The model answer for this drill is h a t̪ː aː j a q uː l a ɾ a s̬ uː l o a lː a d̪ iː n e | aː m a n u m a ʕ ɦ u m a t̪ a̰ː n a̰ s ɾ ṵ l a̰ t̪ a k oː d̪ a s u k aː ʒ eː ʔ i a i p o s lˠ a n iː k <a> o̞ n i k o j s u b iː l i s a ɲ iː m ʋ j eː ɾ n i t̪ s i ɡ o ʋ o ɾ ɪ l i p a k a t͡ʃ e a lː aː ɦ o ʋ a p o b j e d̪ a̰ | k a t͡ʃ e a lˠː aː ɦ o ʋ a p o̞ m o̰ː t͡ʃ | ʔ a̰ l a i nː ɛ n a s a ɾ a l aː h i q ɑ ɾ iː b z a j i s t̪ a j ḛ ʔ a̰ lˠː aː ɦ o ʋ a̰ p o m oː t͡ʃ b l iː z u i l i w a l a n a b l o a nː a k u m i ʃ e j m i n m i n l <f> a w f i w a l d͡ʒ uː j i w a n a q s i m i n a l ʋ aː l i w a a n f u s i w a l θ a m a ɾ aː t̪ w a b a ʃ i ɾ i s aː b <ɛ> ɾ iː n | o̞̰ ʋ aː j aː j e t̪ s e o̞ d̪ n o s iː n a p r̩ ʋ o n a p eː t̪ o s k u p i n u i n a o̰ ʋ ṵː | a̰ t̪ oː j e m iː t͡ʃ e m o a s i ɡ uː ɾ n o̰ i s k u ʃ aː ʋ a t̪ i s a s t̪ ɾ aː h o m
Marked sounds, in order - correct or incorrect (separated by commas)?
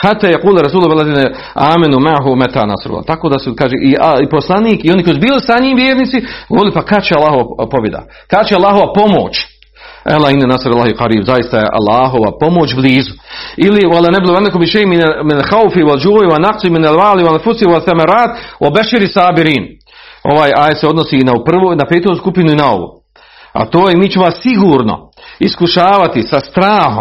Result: incorrect, incorrect, incorrect